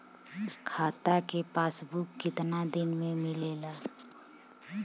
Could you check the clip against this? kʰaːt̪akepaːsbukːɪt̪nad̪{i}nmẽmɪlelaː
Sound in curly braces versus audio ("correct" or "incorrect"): incorrect